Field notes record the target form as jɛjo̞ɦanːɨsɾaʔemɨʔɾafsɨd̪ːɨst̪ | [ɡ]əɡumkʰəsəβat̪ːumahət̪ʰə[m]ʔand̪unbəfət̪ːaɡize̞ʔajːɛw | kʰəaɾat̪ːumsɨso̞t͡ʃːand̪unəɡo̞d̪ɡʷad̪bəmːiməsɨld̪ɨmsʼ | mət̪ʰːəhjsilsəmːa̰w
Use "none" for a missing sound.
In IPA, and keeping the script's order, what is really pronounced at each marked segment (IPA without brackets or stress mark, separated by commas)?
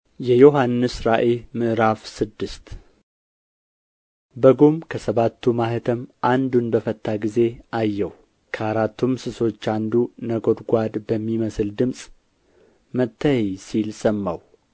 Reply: b, m